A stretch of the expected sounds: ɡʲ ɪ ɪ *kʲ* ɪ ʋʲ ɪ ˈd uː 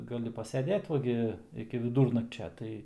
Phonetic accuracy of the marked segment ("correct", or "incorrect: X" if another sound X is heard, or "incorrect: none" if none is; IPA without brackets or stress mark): correct